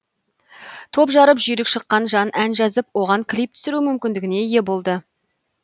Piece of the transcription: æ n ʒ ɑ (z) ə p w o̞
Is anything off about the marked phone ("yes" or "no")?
no